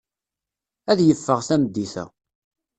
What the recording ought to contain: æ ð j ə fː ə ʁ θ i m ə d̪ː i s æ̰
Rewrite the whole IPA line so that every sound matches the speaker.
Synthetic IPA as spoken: æ ð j ə fː ə ʁ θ æ m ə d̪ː i θ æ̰